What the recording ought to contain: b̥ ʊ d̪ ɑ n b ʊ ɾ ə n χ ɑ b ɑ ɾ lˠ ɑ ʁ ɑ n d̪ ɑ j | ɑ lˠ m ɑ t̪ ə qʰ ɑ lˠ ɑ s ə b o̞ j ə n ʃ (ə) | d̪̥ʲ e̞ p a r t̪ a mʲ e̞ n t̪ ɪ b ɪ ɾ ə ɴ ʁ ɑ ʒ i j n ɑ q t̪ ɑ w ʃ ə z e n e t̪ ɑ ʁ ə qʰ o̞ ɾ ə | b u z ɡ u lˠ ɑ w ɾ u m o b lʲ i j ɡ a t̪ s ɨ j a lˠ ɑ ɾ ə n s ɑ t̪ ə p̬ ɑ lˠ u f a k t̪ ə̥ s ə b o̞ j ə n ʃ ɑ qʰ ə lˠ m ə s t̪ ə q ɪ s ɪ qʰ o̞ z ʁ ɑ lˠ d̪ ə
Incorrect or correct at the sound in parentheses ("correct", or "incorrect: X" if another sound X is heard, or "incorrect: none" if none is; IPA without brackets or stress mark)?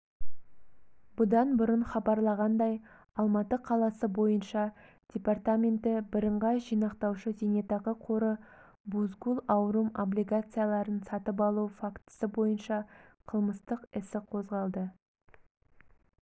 incorrect: ɑ